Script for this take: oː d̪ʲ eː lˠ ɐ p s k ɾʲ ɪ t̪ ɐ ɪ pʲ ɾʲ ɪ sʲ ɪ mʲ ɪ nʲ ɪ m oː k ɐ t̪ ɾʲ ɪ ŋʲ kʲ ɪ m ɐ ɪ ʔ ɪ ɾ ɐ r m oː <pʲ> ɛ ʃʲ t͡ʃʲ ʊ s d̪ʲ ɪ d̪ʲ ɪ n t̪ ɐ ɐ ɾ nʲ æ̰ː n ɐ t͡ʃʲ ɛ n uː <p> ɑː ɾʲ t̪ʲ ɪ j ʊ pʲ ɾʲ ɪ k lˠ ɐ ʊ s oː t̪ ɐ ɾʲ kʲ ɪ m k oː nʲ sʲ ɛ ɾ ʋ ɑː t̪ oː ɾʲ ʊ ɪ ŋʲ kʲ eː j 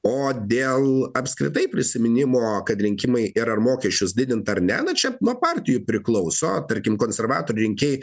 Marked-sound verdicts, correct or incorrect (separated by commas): incorrect, correct